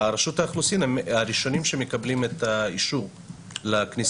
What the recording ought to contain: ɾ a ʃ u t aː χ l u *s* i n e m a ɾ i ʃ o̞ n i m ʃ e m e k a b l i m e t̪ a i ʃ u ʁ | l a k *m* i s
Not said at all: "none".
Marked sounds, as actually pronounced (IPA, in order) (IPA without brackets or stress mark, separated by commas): s, n